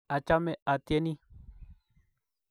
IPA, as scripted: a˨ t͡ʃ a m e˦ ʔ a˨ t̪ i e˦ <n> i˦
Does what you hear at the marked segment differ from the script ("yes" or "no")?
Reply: no